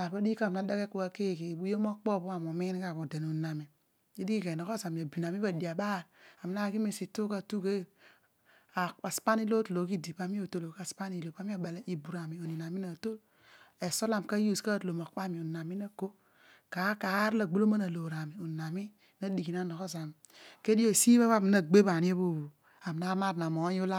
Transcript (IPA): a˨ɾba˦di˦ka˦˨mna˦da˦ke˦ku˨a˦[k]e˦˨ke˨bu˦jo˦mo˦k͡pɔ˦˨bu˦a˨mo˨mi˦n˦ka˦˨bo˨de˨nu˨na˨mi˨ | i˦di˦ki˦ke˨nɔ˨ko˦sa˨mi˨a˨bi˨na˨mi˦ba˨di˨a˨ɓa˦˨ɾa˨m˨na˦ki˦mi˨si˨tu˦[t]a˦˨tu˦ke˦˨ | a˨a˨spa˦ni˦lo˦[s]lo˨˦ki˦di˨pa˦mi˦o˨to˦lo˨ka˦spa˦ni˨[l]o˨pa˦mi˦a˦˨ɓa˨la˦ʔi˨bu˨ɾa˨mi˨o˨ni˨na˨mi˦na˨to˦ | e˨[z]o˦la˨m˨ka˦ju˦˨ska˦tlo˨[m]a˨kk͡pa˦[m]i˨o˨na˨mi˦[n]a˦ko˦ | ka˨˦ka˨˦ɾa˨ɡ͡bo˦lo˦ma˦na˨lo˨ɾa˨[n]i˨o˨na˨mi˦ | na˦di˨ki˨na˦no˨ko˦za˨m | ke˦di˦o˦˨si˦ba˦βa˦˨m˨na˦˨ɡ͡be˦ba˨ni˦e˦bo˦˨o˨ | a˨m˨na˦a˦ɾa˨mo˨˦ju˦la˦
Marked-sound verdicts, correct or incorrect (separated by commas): correct, incorrect, incorrect, correct, incorrect, correct, correct, correct, incorrect